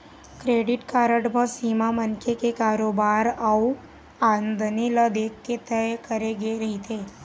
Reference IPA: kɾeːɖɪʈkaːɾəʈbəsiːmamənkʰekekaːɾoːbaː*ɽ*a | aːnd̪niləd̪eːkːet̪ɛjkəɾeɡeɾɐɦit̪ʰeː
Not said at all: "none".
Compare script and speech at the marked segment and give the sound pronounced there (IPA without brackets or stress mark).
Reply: ɾ